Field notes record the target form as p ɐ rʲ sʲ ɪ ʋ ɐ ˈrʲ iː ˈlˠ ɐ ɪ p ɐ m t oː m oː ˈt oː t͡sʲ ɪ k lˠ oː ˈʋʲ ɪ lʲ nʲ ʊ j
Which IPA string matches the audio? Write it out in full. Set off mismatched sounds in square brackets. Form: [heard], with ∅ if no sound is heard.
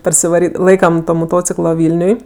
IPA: p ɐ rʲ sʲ ɪ ʋ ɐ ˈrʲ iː ˈlˠ ɐ ɪ [k] ɐ m t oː m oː ˈt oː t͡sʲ ɪ k lˠ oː ˈʋʲ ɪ lʲ nʲ ʊ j